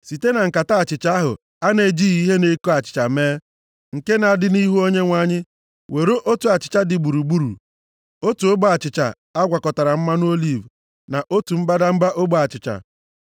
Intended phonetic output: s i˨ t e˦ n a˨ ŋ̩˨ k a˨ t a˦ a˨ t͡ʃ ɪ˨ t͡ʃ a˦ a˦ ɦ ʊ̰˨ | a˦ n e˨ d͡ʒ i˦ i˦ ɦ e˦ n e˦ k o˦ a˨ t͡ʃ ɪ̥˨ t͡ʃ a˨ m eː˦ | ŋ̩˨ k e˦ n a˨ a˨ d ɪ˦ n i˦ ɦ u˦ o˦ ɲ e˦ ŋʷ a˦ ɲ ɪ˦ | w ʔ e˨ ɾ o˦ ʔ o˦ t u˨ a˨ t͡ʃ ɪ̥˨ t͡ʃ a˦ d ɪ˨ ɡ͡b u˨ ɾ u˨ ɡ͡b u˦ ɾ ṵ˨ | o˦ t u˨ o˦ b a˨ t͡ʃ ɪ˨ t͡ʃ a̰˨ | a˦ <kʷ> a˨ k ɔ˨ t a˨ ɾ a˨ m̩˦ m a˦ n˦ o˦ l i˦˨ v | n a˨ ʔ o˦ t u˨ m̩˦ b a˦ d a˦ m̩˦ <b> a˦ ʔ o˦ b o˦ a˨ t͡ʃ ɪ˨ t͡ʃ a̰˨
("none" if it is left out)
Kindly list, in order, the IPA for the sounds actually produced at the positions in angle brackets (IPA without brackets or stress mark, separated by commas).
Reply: ɡʷ, b